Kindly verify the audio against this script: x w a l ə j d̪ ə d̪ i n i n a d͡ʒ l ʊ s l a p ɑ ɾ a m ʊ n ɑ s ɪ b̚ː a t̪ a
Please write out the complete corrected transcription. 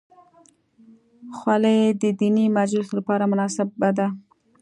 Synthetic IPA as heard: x w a l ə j d̪ ə d̪ i n i m a d͡ʒ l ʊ s l a p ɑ ɾ a m ʊ n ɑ s ɪ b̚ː a d̪ a